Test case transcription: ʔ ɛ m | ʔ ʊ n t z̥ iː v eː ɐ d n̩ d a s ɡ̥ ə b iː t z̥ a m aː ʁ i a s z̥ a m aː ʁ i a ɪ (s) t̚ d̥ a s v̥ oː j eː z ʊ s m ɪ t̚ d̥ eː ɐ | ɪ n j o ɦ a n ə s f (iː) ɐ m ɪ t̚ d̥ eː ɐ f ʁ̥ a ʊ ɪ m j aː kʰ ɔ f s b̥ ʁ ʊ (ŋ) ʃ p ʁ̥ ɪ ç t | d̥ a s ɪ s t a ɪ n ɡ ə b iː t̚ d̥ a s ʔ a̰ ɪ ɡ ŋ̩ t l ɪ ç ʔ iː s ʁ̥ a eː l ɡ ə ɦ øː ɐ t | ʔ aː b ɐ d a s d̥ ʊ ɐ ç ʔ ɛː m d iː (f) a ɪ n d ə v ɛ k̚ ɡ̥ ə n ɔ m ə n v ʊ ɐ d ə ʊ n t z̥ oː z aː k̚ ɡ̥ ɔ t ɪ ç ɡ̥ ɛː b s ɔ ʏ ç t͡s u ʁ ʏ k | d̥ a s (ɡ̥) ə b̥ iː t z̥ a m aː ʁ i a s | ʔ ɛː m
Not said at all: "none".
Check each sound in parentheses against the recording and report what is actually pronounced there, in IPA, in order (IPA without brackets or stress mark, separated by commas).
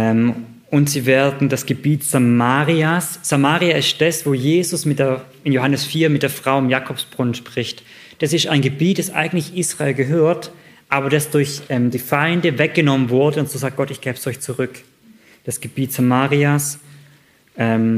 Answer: s, iː, n, f, ɡ̥